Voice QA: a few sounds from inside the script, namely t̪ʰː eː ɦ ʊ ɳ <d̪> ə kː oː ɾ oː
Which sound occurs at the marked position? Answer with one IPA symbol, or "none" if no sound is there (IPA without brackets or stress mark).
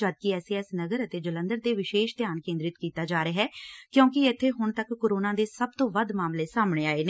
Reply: t̪